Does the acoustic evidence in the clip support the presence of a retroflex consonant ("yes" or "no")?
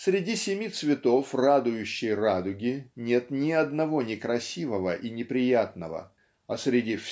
no